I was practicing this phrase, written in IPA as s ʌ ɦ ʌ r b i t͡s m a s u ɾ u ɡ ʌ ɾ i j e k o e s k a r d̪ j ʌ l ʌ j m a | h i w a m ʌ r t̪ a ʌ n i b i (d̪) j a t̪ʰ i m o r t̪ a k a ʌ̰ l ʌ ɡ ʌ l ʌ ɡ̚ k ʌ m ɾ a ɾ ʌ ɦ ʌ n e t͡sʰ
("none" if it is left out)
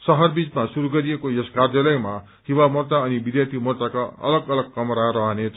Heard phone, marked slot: d̪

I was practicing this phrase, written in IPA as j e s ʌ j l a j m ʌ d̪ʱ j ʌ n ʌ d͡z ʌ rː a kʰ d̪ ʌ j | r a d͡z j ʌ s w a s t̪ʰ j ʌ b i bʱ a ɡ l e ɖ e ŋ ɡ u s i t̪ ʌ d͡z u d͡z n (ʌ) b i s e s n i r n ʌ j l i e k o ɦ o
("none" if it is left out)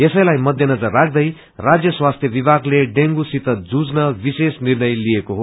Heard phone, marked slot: ʌ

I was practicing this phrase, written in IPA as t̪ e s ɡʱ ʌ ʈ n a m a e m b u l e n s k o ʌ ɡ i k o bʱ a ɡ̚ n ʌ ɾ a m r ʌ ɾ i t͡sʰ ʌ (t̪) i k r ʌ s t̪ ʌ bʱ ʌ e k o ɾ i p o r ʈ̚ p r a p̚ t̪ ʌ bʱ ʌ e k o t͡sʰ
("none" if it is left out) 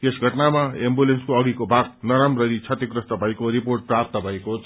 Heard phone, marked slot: t̪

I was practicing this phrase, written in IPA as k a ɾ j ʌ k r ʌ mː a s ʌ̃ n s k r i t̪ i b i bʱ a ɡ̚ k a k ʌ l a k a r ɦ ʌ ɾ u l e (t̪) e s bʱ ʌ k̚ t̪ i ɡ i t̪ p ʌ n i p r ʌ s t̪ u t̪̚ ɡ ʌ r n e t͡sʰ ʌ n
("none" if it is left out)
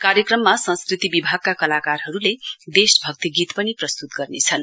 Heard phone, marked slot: d̪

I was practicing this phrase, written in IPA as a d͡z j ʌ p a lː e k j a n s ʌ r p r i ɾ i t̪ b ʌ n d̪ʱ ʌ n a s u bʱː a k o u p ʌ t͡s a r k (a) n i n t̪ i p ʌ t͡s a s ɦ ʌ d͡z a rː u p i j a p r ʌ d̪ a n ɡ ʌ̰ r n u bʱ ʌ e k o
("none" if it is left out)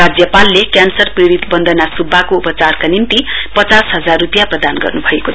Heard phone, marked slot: a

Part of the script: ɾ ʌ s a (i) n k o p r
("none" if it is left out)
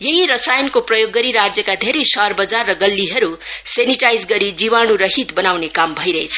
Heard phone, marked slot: j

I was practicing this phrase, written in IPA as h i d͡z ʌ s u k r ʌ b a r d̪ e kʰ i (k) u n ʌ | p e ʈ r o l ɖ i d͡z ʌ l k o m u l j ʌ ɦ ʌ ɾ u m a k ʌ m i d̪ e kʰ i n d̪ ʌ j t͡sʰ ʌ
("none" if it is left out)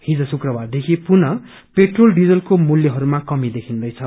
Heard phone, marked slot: p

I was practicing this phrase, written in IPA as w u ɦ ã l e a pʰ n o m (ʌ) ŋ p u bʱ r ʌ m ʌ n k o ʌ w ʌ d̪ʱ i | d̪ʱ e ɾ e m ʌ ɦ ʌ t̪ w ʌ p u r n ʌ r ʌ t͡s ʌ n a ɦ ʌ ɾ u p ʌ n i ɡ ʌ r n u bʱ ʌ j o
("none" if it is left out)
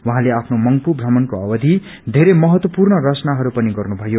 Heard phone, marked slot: ʌ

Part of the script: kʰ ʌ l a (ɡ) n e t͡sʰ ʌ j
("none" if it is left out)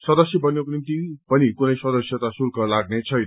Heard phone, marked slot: ɡ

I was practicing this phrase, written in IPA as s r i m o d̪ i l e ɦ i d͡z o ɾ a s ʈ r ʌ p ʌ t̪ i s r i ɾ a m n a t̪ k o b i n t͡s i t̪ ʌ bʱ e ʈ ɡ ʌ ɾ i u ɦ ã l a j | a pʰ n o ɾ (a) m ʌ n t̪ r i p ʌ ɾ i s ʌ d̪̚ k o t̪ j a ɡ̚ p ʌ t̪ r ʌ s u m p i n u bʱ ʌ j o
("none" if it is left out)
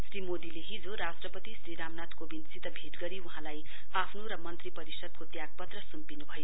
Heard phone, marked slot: ʌ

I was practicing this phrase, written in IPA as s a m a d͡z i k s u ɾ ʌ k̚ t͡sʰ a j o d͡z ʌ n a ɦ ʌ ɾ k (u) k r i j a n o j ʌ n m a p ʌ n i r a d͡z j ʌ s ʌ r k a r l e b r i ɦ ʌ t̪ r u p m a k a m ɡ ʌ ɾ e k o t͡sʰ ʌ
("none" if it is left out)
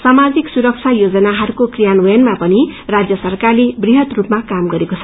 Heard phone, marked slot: o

